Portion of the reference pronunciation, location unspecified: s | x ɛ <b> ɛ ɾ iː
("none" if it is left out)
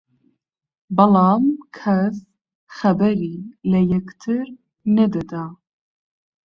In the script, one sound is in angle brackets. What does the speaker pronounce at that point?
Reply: b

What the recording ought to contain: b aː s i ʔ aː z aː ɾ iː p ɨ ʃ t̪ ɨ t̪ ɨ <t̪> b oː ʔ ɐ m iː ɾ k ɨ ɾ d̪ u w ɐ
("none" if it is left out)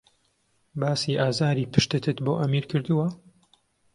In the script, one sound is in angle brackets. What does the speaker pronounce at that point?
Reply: t̪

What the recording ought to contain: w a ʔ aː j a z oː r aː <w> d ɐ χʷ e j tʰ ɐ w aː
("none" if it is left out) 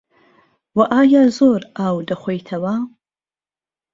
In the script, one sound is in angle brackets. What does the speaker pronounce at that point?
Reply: w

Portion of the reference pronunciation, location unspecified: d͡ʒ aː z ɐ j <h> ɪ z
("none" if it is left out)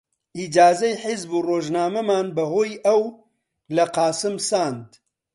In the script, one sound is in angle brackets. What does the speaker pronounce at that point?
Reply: ħ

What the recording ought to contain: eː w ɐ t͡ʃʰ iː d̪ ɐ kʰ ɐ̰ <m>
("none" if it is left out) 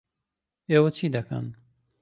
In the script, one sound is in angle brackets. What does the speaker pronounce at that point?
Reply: n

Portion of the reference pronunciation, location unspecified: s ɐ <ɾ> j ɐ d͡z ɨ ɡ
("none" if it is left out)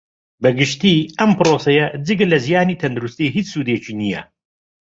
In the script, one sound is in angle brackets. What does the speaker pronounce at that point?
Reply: none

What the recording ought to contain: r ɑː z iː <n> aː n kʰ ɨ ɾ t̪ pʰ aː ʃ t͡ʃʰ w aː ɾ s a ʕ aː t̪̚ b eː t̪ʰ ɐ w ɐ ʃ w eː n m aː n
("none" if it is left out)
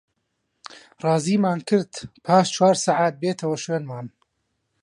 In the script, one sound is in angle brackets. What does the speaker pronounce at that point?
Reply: m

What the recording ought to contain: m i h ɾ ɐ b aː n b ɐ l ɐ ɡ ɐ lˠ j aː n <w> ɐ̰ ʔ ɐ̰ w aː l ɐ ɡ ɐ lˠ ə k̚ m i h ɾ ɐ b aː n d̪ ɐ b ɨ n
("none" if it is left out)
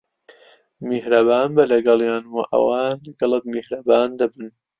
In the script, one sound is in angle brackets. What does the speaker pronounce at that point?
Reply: w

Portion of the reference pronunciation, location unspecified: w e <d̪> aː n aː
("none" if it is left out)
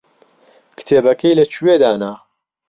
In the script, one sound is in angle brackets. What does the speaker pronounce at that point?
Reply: d̪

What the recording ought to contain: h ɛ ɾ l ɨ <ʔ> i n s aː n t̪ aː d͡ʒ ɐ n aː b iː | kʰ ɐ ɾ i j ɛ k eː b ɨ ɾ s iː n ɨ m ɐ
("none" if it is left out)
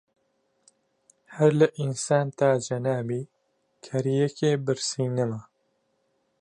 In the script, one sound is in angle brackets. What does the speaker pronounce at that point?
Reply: ʔ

